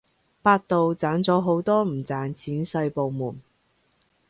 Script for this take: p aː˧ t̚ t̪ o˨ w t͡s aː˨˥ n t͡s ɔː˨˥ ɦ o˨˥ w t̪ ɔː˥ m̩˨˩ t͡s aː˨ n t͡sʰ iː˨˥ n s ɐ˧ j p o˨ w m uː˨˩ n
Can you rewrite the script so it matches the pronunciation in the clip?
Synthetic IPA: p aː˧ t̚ t̪ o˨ w t͡s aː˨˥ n t͡s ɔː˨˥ ɦ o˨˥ w t̪ ɔː˥ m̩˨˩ t͡s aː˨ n t͡sʰ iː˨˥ n s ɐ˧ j p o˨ w m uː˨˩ n

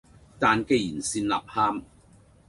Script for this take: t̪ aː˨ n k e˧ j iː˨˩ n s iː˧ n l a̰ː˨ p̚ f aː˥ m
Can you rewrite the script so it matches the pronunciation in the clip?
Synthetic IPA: t̪ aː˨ n k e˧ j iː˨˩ n s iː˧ n l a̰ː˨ p̚ h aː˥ m

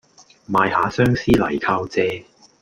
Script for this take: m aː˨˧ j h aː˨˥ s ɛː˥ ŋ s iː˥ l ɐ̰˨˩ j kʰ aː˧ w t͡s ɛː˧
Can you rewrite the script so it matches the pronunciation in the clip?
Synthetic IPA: m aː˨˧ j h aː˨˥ s œː˥ ŋ s iː˥ l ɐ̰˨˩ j kʰ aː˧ w t͡s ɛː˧

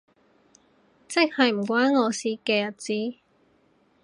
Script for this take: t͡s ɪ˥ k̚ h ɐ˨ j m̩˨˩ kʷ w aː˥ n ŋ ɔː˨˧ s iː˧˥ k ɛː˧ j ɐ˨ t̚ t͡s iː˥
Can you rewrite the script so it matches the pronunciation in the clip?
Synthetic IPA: t͡s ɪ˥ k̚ h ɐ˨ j m̩˨˩ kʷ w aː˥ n ŋ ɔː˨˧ s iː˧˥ k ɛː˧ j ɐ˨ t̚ t͡s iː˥

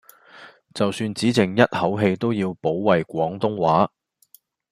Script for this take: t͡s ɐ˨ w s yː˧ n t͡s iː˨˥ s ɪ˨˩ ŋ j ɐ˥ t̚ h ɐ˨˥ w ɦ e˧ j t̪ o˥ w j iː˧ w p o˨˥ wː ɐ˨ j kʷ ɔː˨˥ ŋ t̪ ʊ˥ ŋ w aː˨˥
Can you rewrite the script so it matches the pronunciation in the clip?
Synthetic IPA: t͡s ɐ˨ w s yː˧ n t͡s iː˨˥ t͡s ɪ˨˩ ŋ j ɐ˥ t̚ h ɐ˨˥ w ɦ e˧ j t̪ o˥ w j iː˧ w p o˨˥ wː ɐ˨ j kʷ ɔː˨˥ ŋ t̪ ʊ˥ ŋ w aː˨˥

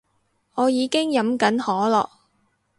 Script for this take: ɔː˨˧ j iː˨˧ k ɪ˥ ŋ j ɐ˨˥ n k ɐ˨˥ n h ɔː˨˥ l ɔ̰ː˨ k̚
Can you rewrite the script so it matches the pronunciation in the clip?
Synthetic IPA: ɔː˨˧ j iː˨˧ k ɪ˥ ŋ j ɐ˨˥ m k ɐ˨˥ n h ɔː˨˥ l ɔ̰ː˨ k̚

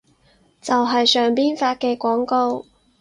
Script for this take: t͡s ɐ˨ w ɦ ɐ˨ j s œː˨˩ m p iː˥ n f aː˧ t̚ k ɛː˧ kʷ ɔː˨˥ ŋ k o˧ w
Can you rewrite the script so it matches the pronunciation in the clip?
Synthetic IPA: t͡s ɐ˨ w ɦ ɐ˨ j s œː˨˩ ŋ p iː˥ n f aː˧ t̚ k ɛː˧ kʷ ɔː˨˥ ŋ k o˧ w

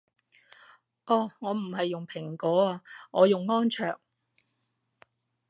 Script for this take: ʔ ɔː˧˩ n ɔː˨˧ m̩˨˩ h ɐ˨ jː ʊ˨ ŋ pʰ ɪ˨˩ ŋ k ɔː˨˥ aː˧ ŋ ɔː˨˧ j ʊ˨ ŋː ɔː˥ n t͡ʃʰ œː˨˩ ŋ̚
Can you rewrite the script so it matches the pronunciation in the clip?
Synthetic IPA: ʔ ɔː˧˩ ŋ ɔː˨˧ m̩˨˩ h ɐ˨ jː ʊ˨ ŋ pʰ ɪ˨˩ ŋ k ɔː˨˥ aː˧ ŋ ɔː˨˧ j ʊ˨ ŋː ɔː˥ n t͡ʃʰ œː˨˩ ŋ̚

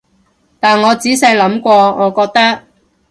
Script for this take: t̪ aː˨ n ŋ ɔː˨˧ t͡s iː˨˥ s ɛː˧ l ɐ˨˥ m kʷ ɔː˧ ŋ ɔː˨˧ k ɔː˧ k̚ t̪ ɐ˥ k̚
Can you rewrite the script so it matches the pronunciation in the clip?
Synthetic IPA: t̪ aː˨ n ŋ ɔː˨˧ t͡s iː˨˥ s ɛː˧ l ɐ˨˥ m kʷ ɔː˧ ŋ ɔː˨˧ k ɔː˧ k̚ t̪ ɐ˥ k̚

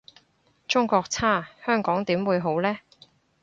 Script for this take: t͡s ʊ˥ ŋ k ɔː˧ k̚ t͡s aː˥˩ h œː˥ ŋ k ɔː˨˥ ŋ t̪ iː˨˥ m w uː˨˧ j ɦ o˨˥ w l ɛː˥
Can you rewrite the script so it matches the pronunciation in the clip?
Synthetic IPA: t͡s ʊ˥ ŋ k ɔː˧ k̚ t͡sʰ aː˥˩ h œː˥ ŋ k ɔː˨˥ ŋ t̪ iː˨˥ m w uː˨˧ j ɦ o˨˥ w l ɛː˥

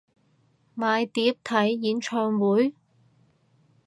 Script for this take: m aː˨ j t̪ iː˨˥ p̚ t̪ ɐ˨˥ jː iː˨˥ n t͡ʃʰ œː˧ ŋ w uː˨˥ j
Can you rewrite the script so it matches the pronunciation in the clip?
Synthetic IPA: m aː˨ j t̪ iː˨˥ p̚ t̪ʰ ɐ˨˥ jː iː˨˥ n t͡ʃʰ œː˧ ŋ w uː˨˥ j

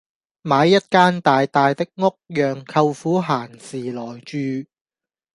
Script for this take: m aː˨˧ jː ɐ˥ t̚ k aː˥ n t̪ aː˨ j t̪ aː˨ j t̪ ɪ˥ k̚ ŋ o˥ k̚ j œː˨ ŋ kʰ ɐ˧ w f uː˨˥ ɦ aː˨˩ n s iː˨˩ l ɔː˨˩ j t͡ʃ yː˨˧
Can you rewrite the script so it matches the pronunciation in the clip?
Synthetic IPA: m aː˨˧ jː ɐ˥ t̚ k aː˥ n t̪ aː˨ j t̪ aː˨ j t̪ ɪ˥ k̚ ŋ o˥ k̚ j œː˨ ŋ kʰ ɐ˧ w f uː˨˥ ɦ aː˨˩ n s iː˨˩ l ɔː˨˩ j t͡ʃ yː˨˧

